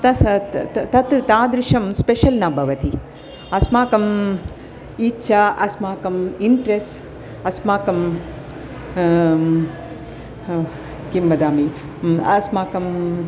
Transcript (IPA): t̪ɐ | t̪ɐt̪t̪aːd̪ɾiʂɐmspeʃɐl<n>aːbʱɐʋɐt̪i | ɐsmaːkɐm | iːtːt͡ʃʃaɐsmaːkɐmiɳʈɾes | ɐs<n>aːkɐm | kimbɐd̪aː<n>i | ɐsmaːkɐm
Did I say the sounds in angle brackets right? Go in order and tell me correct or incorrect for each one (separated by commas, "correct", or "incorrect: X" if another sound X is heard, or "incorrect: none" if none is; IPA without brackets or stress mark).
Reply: correct, incorrect: m, incorrect: m